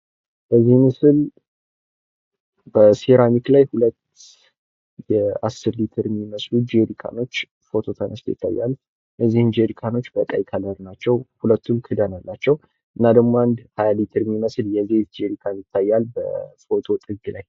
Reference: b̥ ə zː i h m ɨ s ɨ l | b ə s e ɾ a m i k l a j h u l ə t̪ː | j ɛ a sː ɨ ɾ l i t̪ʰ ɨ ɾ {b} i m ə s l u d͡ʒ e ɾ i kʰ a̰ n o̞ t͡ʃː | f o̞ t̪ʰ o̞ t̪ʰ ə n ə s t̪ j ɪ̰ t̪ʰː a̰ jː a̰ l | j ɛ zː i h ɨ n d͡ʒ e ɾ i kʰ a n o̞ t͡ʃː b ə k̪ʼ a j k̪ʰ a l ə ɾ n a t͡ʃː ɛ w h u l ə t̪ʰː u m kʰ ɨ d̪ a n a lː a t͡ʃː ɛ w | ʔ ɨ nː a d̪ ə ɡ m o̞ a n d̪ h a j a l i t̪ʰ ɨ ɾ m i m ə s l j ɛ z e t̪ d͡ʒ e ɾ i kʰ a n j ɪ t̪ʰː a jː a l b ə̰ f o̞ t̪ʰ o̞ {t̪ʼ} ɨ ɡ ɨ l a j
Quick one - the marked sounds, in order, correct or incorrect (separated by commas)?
incorrect, correct